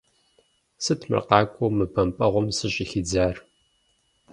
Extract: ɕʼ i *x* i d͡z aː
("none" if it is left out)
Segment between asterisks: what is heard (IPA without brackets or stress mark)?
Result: x